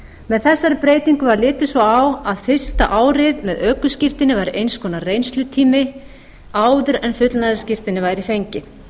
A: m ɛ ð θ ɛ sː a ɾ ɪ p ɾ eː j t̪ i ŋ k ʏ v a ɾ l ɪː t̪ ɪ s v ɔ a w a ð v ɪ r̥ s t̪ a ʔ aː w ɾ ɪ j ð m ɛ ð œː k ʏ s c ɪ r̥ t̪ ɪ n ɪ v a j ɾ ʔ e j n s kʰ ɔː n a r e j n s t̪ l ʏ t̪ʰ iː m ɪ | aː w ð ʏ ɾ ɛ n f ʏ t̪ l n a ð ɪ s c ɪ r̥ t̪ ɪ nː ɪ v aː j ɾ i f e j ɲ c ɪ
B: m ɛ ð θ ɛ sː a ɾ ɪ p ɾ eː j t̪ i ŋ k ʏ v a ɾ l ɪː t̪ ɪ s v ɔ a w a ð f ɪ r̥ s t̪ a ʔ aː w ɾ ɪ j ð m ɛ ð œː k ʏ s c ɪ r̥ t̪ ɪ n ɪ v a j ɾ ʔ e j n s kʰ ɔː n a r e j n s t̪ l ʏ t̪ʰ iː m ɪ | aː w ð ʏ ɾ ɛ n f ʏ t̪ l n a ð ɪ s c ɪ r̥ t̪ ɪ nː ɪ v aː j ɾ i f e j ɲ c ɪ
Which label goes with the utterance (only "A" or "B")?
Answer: B